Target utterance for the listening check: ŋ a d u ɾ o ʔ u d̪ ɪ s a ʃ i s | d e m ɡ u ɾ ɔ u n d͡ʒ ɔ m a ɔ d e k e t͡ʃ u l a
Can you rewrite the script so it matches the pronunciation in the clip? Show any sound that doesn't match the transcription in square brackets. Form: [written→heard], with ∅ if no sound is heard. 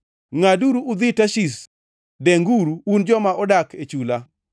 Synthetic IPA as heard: ŋ a d u ɾ [o→u] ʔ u d̪ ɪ [s→t] a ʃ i s | d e [m→ŋ] ɡ u ɾ [ɔ→u] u n d͡ʒ ɔ m a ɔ d [e→a] k e t͡ʃ u l a